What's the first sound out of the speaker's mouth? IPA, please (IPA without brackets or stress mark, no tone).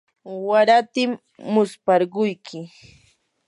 w